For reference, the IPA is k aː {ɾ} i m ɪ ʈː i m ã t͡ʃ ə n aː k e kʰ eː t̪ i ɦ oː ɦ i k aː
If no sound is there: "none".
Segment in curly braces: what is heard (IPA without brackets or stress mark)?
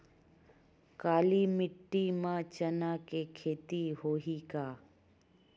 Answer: l